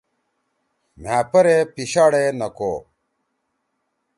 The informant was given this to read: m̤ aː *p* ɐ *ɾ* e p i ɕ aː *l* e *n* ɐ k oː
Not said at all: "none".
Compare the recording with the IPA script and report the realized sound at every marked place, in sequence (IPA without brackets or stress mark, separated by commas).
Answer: p, ɾ, ɽ, n